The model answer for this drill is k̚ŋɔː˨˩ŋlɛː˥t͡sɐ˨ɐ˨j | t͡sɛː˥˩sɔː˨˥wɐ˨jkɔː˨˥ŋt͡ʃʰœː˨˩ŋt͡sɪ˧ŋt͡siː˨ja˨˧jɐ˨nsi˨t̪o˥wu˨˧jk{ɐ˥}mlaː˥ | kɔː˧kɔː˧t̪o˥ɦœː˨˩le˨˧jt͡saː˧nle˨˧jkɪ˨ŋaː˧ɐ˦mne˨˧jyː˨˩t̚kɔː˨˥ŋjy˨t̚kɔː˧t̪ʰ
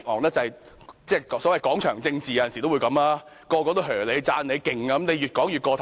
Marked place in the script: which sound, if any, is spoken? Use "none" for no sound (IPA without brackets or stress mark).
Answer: ɐ˨˧